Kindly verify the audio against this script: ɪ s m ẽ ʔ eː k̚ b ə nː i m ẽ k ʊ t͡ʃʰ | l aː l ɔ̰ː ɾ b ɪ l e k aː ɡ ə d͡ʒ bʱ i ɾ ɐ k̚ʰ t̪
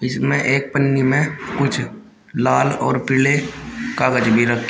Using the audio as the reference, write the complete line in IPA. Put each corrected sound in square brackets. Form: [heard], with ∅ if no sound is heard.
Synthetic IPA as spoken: ɪ s m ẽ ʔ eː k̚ [p] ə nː i m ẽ k ʊ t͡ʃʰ | l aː l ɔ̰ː ɾ [p] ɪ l e k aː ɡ ə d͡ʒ bʱ i ɾ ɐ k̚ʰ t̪